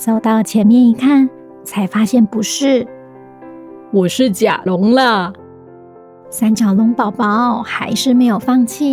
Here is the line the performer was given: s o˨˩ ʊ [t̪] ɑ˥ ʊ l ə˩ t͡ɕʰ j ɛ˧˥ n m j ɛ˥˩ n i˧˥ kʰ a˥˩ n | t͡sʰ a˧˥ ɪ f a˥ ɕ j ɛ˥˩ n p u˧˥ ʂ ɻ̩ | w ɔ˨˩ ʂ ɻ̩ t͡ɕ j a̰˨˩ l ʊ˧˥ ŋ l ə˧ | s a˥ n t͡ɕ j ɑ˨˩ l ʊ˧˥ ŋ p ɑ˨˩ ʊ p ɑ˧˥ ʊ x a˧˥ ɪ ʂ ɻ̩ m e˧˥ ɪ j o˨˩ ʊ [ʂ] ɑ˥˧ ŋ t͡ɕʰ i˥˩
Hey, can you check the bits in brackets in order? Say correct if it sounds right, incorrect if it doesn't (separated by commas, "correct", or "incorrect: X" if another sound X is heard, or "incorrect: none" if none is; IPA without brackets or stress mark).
correct, incorrect: f